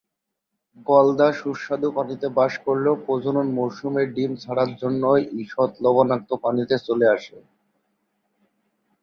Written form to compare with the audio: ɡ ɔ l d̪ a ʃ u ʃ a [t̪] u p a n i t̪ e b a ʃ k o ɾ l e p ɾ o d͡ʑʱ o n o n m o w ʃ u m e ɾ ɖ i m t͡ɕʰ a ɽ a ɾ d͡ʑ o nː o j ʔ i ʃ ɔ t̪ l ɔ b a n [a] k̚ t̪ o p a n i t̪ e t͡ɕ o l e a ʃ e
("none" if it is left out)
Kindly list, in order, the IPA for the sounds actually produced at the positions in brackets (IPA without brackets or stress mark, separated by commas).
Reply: d̪, a